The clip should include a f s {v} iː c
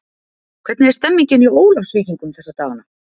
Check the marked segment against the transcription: correct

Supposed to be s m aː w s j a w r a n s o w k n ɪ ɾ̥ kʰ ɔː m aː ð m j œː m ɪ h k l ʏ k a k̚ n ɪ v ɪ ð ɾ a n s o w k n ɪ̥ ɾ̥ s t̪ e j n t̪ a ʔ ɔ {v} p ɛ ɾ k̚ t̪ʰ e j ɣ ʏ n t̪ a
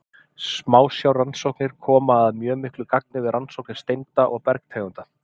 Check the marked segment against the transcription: incorrect: ɣ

